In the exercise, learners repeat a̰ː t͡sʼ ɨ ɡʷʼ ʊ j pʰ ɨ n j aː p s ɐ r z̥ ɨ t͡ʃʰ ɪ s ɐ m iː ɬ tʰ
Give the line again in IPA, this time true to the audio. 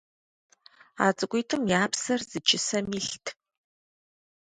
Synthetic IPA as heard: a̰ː t͡sʼ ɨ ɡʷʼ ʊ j tʰ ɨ m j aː p s ɐ r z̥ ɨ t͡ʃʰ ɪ s ɐ m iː ɬ tʰ